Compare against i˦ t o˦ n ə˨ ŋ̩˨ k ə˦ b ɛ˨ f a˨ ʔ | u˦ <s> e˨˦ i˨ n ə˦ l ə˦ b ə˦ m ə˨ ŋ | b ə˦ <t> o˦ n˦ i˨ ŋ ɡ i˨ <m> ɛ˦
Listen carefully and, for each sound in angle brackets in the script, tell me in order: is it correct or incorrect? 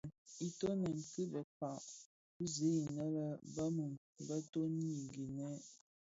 incorrect: z, correct, incorrect: n

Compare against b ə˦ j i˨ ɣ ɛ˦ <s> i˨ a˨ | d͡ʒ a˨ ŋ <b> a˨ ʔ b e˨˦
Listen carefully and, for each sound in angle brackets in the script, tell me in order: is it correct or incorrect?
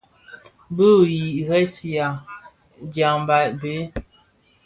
correct, correct

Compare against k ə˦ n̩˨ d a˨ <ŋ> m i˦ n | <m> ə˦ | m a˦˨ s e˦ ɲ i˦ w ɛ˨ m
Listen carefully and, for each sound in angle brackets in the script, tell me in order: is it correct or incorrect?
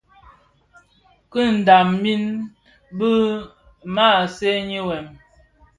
incorrect: m, incorrect: b

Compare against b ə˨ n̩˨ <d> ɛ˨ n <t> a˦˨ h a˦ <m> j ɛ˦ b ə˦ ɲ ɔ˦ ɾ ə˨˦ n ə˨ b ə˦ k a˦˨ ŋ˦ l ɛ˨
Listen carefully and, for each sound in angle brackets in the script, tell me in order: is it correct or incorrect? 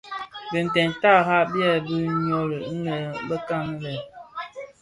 incorrect: t, correct, incorrect: b

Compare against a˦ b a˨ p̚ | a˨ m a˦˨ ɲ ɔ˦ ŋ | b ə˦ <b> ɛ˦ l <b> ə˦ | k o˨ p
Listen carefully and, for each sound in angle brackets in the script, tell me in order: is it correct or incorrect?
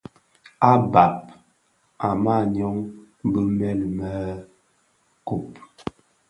incorrect: m, incorrect: m

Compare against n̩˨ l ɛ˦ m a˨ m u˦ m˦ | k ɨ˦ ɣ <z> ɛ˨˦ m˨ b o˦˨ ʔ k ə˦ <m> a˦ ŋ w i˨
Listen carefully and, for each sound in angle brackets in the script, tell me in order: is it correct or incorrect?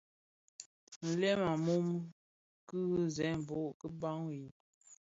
correct, incorrect: b

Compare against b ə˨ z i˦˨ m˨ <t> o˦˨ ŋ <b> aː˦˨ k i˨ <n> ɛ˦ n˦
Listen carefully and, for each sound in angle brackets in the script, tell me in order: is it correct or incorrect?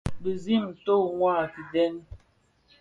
correct, incorrect: w, incorrect: d

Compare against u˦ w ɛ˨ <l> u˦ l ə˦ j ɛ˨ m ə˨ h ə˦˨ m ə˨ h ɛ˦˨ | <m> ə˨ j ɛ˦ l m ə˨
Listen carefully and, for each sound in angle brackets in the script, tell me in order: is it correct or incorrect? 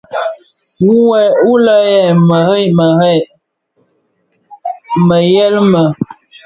incorrect: none, correct

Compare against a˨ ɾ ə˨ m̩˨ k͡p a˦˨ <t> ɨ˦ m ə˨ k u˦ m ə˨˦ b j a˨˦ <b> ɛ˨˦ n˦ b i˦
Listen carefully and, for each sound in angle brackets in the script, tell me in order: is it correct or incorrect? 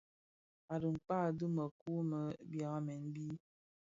incorrect: d, incorrect: m

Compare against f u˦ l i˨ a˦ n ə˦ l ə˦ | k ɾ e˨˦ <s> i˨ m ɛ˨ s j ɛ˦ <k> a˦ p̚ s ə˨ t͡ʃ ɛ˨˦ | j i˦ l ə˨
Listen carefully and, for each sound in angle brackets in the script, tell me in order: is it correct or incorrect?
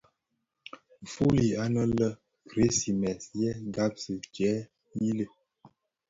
correct, incorrect: ɡ

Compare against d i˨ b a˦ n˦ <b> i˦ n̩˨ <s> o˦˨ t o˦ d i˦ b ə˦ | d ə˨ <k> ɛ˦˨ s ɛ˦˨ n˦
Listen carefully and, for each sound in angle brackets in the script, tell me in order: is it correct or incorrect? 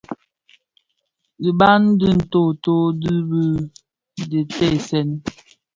incorrect: d, incorrect: t, incorrect: t

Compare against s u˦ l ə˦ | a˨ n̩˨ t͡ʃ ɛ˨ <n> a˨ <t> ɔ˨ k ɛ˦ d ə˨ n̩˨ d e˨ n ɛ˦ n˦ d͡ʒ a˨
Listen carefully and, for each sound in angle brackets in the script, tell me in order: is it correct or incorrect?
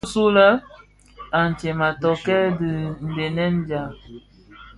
incorrect: m, correct

